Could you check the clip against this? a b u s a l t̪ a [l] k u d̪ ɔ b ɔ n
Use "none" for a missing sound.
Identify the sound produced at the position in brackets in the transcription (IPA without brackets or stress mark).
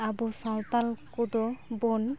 l